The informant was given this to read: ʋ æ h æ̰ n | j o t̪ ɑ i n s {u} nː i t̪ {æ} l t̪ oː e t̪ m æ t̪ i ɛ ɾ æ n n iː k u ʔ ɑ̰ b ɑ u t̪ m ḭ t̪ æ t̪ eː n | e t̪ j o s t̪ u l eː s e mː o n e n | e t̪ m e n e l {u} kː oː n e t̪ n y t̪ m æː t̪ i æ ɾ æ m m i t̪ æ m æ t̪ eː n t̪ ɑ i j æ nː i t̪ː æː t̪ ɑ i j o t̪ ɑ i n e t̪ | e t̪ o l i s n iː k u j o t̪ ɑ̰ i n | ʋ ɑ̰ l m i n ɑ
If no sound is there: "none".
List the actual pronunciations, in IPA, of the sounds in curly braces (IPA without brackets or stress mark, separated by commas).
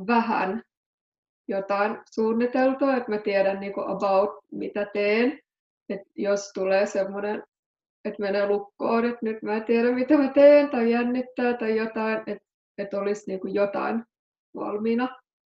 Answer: uː, e, u